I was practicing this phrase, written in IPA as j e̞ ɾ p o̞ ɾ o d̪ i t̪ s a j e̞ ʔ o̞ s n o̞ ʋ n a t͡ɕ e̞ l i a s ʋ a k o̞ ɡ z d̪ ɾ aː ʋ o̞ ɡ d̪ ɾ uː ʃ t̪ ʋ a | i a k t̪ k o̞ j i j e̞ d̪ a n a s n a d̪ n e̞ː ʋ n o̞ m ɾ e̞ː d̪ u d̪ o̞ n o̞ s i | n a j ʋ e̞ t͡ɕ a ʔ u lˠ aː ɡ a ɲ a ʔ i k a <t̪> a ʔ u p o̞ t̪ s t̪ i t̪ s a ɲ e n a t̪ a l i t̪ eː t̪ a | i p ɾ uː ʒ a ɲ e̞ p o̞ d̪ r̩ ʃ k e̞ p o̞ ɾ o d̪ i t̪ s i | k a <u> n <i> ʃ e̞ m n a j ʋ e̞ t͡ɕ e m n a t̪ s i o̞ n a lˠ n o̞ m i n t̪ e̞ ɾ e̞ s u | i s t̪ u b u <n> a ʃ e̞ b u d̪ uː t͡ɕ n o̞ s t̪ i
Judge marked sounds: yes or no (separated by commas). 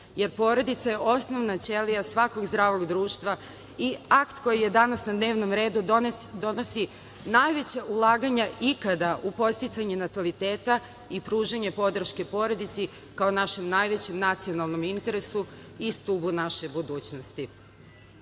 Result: no, no, no, yes